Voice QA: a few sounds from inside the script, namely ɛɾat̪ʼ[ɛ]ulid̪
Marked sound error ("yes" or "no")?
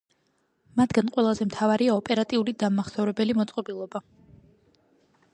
yes